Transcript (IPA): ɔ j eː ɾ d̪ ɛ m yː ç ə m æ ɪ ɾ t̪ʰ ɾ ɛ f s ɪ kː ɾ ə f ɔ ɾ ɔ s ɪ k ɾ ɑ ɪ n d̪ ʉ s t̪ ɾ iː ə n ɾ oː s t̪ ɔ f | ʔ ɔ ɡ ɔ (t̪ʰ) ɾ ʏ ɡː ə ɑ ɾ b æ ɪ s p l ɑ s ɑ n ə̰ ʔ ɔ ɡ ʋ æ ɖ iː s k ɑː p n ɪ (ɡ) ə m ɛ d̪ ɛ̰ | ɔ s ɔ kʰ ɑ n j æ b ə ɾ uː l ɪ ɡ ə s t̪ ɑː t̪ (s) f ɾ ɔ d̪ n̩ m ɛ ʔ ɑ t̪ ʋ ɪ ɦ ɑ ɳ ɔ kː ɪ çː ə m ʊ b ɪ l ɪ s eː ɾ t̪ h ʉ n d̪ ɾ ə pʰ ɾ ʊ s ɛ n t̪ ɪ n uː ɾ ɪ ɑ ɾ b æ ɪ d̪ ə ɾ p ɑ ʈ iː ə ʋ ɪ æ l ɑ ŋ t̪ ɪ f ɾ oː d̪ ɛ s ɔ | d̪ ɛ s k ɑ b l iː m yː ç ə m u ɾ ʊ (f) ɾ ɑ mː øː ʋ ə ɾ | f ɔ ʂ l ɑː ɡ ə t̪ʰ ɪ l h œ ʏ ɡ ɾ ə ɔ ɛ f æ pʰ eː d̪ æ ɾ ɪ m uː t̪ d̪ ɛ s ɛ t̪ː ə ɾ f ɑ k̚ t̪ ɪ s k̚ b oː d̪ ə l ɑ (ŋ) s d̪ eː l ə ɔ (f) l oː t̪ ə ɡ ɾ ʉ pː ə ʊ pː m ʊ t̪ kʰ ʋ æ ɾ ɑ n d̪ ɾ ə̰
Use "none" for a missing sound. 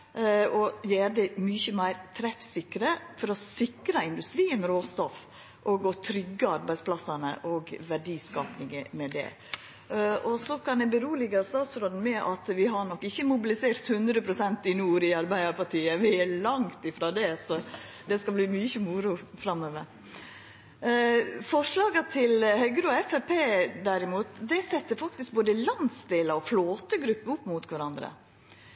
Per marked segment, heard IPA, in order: t̪ʰ, ŋ, s, f, n, f

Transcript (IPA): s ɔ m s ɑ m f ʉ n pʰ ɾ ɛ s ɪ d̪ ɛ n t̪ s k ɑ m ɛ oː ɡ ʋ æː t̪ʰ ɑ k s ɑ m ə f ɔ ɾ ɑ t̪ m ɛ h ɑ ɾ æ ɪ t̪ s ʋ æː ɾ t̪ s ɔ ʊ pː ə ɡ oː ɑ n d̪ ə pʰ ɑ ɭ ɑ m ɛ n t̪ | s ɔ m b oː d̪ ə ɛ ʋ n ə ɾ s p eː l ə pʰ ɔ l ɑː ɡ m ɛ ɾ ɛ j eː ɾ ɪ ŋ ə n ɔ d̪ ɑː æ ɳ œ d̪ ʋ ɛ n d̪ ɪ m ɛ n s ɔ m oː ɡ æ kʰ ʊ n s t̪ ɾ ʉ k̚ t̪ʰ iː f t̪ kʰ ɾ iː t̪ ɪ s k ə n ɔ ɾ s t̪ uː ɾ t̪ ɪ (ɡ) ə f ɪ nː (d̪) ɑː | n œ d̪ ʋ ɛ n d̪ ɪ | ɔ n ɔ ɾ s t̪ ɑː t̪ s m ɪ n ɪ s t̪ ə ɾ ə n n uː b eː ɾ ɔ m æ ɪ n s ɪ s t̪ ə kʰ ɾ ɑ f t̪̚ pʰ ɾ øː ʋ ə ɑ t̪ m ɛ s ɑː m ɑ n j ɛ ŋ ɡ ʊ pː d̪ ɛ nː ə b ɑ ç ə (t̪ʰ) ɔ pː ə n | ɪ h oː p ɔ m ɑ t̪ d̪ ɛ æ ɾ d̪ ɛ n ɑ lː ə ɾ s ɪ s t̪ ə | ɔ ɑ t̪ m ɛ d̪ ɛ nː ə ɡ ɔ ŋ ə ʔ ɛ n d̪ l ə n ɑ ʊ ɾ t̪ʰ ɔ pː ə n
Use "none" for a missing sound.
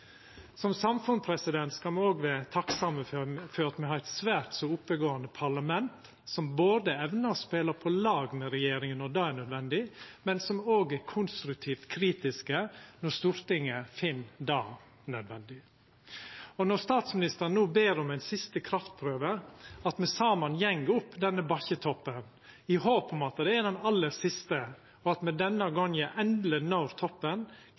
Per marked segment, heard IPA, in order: ŋ, d̪, t̪ʰ

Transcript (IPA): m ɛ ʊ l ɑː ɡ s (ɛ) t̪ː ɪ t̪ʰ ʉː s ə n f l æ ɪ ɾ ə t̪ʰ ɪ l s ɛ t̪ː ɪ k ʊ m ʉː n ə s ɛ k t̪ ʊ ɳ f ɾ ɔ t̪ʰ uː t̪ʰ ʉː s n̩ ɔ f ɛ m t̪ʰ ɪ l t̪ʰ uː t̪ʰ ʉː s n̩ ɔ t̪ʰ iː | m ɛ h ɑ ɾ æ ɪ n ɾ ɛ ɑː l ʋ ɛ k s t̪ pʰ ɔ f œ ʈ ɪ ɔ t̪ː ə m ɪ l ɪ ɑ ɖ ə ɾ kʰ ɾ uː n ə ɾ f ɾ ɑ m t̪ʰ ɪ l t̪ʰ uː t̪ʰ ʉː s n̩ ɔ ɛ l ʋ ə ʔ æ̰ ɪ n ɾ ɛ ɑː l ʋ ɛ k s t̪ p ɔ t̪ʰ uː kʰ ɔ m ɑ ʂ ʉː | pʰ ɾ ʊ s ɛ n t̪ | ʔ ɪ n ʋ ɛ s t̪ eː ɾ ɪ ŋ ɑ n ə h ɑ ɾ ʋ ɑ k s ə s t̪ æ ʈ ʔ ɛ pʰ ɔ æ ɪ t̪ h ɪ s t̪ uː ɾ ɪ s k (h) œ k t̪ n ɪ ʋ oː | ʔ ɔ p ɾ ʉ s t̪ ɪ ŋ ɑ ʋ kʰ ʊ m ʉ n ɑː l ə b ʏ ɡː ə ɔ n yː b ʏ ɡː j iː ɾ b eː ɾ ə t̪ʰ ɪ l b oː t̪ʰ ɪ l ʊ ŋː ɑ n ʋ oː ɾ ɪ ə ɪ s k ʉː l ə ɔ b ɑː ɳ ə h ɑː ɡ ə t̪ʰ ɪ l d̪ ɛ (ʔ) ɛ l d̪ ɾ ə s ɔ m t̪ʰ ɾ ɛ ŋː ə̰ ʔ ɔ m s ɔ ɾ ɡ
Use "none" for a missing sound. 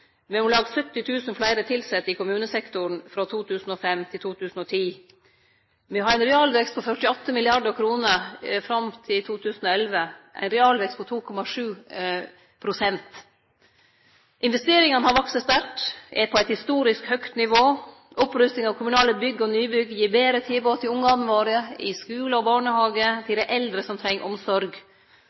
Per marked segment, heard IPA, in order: œ, h, ʔ

